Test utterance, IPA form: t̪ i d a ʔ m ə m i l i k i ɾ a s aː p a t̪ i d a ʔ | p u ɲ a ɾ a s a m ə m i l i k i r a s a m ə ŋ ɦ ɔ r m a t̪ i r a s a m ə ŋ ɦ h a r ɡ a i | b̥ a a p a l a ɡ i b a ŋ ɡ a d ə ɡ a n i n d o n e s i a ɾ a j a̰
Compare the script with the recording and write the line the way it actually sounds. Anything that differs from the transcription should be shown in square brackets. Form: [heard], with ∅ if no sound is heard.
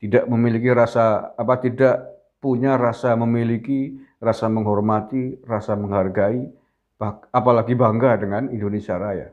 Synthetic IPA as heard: t̪ i d a ʔ m ə m i l i k i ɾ a s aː p a t̪ i d a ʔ | p u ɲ a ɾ a s a m ə m i l i k i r a s a m ə ŋ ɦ ɔ r m a t̪ i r a s a m ə ŋ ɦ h a r ɡ a i | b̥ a a p a l a ɡ i b a ŋ ɡ a d ə [ŋ] a n i n d o n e s i a ɾ a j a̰